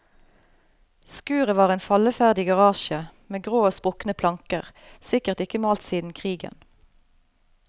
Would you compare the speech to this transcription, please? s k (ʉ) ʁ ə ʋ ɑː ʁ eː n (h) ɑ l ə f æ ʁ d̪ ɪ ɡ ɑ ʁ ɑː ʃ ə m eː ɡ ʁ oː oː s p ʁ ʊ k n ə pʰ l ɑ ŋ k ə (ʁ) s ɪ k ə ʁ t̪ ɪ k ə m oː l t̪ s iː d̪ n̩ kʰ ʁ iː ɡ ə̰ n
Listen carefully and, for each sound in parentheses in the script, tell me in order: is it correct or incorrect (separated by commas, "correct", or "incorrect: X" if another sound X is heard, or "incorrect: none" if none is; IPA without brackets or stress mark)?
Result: incorrect: ʉː, incorrect: f, correct